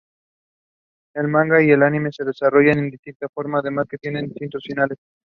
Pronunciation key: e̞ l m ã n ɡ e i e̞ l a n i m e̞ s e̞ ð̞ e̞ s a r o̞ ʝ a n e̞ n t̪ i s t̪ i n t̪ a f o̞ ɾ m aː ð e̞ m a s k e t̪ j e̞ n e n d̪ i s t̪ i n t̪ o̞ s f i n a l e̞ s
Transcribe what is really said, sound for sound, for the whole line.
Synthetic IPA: e̞ l m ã ŋ ɡ a i e̞ l a n i m e̞ s e̞ ð̞ e̞ s a r o̞ ʝ a n e̞ n d̪ i s t̪ i n t̪ a f o̞ ɾ m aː ð e̞ m a s k e t̪ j e̞ n e n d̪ i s t̪ i n t̪ o̞ s f i n a l e̞ s